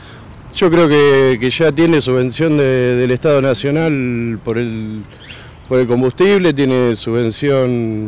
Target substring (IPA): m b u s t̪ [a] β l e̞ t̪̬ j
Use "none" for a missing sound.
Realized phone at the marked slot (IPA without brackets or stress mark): i